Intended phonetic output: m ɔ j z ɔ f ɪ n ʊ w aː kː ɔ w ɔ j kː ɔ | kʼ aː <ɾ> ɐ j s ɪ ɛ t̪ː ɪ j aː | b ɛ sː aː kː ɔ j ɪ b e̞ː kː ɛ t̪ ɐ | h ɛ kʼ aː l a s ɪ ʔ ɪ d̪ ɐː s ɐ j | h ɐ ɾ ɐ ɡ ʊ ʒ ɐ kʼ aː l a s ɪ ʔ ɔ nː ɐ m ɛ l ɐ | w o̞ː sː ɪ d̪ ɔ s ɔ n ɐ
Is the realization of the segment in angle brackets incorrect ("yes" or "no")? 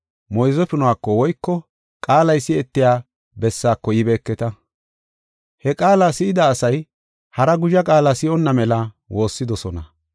yes